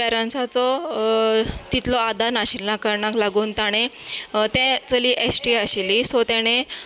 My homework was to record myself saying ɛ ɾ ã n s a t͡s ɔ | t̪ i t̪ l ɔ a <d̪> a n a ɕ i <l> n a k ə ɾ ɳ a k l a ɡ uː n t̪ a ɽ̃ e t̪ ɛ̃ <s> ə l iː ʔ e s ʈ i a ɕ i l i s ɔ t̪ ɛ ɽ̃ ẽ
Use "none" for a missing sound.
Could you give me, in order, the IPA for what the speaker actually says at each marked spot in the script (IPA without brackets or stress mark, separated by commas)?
d̪, l, t͡s